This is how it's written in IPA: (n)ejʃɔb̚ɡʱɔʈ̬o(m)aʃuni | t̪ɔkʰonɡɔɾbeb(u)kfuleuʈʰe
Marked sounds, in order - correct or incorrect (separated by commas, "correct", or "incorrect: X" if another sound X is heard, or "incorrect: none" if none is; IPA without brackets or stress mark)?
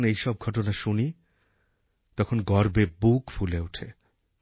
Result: correct, incorrect: n, correct